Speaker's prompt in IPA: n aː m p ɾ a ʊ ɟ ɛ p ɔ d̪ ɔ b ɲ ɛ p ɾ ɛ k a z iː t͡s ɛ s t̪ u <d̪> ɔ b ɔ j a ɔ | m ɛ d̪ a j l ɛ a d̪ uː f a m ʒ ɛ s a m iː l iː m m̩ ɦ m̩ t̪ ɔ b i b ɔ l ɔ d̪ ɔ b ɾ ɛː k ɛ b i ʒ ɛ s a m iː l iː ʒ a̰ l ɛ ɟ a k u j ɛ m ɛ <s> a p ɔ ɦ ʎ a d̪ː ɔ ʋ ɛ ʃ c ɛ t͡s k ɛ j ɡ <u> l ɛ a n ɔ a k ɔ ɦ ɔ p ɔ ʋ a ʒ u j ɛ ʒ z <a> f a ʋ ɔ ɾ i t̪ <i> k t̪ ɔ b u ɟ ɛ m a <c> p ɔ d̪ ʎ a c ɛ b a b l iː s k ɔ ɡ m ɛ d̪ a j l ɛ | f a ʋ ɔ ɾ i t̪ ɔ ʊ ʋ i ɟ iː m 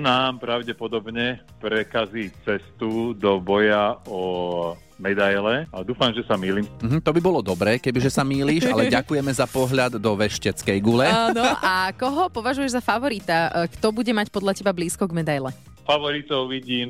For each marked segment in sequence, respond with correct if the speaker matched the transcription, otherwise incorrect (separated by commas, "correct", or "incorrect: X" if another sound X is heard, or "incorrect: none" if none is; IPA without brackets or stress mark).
correct, incorrect: z, correct, correct, incorrect: a, correct